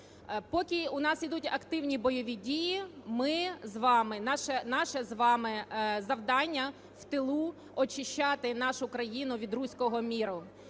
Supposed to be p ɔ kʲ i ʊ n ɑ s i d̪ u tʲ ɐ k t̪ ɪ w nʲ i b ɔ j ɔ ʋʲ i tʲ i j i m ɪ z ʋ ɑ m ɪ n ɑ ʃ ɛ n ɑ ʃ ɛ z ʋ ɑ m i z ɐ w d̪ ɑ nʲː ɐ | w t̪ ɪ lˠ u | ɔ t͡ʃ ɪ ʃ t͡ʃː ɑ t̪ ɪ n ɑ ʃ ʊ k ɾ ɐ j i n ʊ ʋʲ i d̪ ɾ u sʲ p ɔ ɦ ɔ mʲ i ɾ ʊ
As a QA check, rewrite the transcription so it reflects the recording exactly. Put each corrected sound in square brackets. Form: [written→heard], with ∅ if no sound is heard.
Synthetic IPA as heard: p ɔ kʲ i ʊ n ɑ s i d̪ u tʲ ɐ k t̪ ɪ w nʲ i b ɔ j ɔ ʋʲ i [tʲ→dʲ] i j i m ɪ z ʋ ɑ m ɪ n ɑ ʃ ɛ n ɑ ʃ ɛ z ʋ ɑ m [i→ɪ] z ɐ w d̪ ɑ nʲː ɐ | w t̪ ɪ lˠ u | ɔ t͡ʃ ɪ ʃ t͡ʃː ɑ t̪ ɪ n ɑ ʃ ʊ k ɾ ɐ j i n ʊ ʋʲ i d̪ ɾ u sʲ [p→k] ɔ ɦ ɔ mʲ i ɾ ʊ